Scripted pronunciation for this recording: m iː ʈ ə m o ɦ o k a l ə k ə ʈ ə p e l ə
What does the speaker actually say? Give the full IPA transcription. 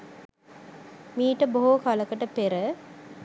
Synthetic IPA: m iː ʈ ə b o ɦ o k a l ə k ə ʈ ə p e ɾ ə